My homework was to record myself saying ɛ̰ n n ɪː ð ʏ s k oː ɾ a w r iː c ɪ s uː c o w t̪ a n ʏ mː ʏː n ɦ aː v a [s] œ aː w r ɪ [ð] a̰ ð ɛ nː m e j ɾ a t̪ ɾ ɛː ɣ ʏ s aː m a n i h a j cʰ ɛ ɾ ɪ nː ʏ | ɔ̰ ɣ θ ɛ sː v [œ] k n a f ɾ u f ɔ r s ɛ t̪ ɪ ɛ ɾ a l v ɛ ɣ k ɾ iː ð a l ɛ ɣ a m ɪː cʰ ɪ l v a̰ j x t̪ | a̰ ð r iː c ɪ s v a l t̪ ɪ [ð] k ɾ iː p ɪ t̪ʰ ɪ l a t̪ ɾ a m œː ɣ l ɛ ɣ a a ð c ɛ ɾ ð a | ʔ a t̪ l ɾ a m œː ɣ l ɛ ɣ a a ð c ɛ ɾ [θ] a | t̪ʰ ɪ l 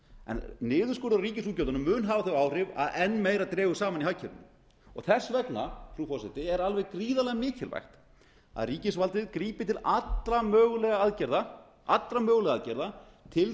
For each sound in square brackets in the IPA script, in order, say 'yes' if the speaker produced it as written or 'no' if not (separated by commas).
no, no, no, yes, no